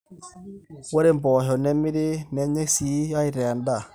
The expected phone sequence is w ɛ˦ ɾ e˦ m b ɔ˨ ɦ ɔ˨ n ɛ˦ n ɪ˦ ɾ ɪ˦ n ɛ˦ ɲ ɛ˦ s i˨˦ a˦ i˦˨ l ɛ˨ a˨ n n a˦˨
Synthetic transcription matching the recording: w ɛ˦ ɾ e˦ m b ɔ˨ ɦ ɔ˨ n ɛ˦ m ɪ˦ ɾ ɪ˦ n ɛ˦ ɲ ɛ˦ s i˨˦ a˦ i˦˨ ɾ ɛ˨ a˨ n d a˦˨